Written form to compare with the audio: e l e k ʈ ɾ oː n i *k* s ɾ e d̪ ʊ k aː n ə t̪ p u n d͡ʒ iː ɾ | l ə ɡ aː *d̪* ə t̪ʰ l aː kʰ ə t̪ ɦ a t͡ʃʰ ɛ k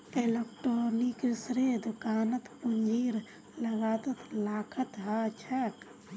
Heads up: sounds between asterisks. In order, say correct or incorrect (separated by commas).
correct, incorrect